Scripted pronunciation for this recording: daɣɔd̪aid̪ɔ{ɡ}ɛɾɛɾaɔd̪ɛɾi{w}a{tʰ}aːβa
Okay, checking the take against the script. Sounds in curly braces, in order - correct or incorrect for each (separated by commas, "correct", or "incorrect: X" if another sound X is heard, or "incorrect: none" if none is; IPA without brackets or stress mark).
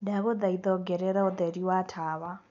correct, correct, correct